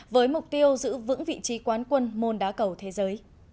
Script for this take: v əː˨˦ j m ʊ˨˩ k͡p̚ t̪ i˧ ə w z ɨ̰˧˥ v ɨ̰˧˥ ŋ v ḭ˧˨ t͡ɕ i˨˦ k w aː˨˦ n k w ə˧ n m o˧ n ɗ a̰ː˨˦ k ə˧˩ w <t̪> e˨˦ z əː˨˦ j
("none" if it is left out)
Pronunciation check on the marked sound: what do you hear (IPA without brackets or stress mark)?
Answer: t̪ʰ